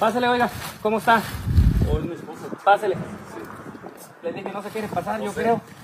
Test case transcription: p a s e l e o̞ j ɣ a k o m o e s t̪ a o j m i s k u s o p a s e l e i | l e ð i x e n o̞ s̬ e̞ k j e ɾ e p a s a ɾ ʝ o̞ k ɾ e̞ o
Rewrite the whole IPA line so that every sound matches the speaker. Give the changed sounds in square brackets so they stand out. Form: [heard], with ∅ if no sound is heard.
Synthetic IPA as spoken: p a s e l e o̞ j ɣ a k o m o e s t̪ a o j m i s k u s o p a s e l e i | l e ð i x e n o̞ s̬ e̞ k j e ɾ e p a s a ɾ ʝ o̞ k ɾ e̞ o